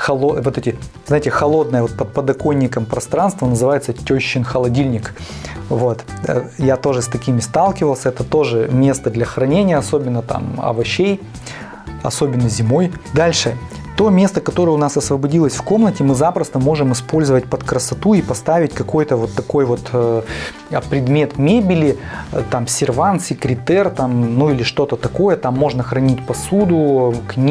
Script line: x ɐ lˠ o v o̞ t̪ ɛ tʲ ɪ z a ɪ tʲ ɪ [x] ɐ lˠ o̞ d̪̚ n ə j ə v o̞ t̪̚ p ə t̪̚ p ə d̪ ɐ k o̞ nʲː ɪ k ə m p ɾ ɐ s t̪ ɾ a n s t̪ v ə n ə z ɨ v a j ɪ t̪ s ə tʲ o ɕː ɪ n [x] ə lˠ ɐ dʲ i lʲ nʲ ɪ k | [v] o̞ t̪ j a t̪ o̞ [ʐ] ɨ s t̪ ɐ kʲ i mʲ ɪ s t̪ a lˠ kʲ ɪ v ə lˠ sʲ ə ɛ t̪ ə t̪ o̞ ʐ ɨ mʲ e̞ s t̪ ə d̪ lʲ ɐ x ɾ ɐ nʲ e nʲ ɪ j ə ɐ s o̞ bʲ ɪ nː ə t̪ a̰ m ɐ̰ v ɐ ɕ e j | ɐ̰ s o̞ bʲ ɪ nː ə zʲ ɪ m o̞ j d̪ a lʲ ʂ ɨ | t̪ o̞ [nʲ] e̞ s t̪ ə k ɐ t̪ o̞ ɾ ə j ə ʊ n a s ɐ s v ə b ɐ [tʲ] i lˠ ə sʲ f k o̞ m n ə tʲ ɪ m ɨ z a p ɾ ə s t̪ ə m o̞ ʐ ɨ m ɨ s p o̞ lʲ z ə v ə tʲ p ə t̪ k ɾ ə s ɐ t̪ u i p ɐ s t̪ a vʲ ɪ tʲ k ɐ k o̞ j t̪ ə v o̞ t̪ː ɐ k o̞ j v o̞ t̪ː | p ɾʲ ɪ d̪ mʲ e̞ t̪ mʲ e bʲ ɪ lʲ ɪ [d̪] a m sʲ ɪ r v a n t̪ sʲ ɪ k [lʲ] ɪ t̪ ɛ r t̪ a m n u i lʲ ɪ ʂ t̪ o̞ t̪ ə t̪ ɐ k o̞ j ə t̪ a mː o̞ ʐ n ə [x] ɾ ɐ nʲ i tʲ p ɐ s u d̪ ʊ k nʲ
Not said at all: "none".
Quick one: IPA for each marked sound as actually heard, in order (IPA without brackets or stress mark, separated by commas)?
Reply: x, x, v, ʐ, mʲ, dʲ, t̪, ɾʲ, x